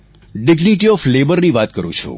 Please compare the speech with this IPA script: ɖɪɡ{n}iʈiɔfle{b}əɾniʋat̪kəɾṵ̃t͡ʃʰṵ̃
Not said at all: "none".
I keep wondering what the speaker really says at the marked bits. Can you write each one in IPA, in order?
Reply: n, b

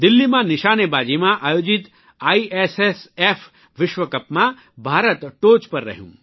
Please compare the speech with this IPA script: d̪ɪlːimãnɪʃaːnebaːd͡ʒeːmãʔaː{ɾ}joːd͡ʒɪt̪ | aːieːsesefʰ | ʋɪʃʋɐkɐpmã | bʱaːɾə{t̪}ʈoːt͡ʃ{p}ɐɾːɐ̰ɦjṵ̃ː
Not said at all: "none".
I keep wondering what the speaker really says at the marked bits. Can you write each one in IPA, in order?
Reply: none, t̪, p

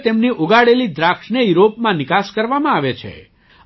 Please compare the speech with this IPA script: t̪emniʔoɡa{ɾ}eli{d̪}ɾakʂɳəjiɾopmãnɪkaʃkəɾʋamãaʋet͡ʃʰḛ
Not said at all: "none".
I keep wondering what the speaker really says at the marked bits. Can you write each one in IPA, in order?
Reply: ɽ, d̪

